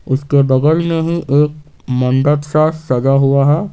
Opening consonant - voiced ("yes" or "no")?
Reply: no